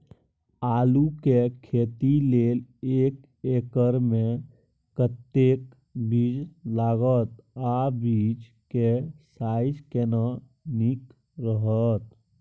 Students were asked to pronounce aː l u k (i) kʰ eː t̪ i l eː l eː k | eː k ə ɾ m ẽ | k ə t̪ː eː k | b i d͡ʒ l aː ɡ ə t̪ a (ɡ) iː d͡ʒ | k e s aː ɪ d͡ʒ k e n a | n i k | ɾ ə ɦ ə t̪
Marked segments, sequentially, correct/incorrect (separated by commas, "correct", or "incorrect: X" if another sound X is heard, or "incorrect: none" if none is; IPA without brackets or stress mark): incorrect: e, incorrect: b